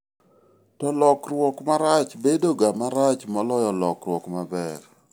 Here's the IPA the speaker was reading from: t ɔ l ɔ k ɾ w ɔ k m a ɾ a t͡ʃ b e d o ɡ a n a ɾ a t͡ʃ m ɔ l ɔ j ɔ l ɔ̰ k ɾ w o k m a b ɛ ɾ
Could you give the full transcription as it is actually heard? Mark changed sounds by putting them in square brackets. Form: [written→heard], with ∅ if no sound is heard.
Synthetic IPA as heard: t ɔ l ɔ k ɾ w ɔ k m a ɾ a t͡ʃ b e d o ɡ a [n→m] a ɾ a t͡ʃ m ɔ l ɔ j ɔ l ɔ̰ k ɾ w [o→ɔ] k m a b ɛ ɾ